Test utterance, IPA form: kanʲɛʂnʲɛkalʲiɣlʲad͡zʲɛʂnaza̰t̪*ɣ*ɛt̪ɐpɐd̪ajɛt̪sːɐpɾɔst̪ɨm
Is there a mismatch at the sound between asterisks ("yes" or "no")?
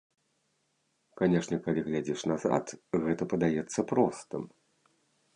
no